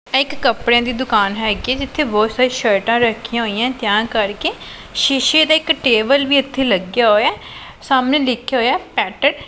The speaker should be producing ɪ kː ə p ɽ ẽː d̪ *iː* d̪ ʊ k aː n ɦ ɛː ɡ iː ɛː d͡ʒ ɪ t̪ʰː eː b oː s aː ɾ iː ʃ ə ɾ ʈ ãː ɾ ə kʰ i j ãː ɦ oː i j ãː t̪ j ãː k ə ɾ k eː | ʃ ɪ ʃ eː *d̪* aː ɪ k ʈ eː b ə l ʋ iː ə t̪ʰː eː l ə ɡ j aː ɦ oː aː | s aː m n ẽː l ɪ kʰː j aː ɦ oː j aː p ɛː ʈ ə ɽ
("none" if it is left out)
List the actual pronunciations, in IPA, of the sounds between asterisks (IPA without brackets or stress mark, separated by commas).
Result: iː, d̪